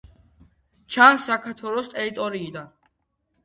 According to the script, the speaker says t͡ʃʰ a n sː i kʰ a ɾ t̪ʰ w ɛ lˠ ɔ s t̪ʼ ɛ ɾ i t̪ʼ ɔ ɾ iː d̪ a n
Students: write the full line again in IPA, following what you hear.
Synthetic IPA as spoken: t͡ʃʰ a n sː a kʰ a ɾ t̪ʰ w ɛ lˠ ɔ s t̪ʼ ɛ ɾ i t̪ʼ ɔ ɾ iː d̪ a n